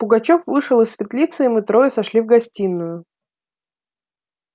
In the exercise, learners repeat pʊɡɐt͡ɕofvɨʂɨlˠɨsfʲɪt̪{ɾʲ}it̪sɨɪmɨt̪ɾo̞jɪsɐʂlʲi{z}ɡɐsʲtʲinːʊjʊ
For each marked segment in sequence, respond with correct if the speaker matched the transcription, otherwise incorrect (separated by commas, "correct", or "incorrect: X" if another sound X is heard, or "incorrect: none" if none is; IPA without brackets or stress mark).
incorrect: lʲ, incorrect: v